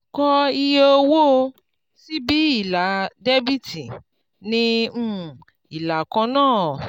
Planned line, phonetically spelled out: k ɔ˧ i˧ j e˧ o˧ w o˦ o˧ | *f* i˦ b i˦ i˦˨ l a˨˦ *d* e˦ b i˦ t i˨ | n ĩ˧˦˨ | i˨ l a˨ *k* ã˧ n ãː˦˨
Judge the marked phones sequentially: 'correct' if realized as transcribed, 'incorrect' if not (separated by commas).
incorrect, correct, correct